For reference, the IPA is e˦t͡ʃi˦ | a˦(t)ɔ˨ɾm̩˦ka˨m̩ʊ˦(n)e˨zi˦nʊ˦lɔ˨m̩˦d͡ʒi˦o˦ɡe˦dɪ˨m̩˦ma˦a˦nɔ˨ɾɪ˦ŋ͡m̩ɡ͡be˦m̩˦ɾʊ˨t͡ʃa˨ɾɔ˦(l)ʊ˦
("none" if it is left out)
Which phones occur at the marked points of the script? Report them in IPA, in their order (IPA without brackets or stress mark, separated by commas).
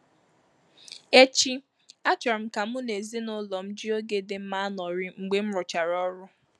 t͡ʃ, n, ɾ